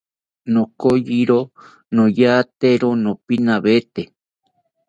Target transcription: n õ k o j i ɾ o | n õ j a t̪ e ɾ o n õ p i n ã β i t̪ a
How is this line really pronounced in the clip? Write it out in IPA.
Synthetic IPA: n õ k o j i ɾ o | n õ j a t̪ e ɾ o n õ p i n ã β e t̪ e